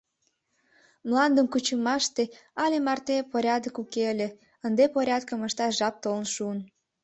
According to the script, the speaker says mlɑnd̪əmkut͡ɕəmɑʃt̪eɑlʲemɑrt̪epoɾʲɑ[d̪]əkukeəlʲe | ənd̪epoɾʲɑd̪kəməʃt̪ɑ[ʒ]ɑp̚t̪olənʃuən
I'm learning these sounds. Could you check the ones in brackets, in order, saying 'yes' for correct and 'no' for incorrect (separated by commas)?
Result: yes, yes